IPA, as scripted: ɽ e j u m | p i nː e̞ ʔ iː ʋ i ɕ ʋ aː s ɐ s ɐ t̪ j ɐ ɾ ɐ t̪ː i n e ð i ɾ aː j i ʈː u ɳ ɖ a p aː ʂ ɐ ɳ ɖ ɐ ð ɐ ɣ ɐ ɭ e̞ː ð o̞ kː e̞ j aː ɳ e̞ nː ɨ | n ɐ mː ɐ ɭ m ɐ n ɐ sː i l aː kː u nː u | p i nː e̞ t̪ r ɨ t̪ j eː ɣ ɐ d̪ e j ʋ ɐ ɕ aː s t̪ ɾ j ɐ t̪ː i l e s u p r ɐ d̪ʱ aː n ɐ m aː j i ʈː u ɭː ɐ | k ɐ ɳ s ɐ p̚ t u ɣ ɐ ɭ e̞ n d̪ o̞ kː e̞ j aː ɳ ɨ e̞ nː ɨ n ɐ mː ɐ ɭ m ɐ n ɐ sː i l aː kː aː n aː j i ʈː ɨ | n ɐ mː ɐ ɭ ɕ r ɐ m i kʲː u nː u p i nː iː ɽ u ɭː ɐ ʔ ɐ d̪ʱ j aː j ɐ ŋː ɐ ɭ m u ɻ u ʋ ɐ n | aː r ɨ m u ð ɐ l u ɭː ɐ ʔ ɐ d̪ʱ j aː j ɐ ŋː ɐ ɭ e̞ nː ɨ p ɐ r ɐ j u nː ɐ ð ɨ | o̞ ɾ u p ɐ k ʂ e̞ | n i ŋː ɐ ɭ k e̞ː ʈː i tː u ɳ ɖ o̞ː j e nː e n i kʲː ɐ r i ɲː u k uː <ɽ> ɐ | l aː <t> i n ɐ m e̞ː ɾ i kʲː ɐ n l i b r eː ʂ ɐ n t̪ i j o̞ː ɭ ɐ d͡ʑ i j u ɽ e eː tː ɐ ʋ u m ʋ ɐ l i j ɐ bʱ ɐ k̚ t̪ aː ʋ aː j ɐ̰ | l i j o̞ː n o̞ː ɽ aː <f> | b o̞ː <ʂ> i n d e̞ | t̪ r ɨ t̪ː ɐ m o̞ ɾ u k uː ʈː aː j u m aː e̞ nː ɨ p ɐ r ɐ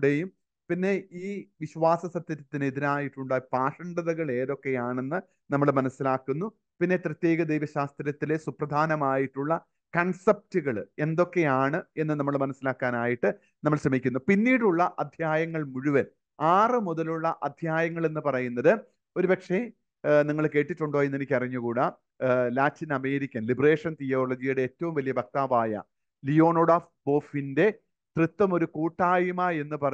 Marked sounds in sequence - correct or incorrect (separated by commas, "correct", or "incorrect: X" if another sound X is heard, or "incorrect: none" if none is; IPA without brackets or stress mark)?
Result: correct, correct, correct, incorrect: f